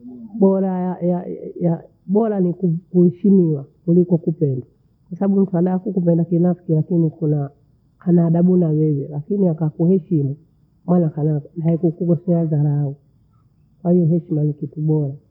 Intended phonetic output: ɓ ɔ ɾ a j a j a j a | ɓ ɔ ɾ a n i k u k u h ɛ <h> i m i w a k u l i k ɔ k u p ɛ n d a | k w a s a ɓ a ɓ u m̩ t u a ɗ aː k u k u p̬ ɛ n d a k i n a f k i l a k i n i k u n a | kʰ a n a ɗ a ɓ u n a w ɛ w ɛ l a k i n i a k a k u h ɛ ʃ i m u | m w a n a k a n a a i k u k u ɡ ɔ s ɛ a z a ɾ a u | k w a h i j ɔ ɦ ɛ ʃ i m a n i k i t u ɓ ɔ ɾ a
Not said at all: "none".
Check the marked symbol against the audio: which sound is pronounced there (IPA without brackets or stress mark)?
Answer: ʃ